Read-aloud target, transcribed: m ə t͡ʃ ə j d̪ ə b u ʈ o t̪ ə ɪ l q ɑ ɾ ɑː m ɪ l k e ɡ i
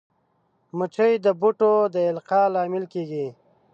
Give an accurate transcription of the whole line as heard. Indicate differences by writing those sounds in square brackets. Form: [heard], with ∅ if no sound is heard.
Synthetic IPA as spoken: m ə t͡ʃ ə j d̪ ə b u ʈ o [d̪] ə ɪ l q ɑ [l] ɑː m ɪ l k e ɡ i